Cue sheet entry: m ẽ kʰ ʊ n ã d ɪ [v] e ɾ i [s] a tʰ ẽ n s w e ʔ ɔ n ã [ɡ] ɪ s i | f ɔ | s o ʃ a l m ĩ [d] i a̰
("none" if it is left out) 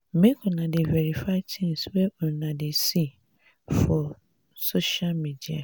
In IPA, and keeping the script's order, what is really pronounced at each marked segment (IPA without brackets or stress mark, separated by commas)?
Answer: v, f, d, d